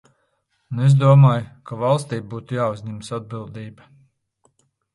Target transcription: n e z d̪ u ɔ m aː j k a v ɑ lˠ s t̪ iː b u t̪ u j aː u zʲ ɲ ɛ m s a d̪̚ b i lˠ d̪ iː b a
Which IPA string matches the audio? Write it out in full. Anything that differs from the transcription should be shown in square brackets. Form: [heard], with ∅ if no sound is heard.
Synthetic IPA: n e z d̪ u ɔ m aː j k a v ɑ lˠ s t̪ iː b [uː] t̪ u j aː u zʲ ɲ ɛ m s a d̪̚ b i lˠ d̪ iː b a